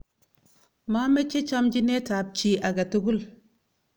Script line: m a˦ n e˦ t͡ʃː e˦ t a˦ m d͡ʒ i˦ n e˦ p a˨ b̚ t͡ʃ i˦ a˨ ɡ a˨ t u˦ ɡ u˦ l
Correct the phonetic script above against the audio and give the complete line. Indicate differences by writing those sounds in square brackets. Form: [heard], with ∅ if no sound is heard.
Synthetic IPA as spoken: m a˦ [m] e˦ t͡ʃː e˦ [t͡ʃ] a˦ m d͡ʒ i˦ n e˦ [t] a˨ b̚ t͡ʃ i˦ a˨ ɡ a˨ t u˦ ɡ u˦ l